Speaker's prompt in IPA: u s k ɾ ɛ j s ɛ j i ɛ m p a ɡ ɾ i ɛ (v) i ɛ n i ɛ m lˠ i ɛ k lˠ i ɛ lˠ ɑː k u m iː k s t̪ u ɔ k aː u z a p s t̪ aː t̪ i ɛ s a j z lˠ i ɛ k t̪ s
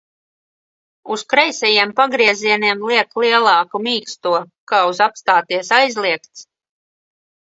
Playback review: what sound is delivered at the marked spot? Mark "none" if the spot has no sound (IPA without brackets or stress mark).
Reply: z